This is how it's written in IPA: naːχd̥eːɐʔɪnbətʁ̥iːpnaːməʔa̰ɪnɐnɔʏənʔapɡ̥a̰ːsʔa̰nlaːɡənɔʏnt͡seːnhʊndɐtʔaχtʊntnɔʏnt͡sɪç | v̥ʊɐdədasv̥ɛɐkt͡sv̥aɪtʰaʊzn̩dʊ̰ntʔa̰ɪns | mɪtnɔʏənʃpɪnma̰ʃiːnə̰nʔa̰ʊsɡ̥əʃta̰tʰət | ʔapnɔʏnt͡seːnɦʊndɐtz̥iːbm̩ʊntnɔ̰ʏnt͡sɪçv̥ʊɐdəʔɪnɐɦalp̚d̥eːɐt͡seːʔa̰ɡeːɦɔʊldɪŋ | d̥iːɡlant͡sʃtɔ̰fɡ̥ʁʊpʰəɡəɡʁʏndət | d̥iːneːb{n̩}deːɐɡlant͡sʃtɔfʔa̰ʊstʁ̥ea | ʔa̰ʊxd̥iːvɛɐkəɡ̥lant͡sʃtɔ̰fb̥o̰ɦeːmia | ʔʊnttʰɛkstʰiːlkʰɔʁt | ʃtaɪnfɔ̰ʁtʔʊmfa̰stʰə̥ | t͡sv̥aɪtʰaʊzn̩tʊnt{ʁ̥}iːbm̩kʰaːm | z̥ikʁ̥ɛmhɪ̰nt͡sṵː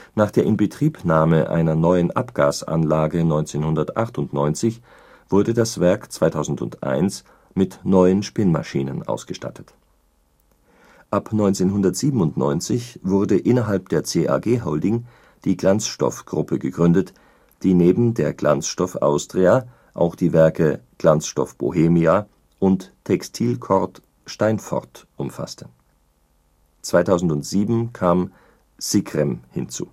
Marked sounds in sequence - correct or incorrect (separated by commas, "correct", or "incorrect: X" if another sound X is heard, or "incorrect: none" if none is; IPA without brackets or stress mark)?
incorrect: m̩, incorrect: z̥